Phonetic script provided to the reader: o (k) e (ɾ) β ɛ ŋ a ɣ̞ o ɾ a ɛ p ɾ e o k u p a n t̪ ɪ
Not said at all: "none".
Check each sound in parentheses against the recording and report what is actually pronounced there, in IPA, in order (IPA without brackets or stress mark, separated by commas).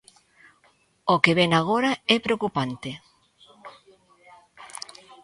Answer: k, none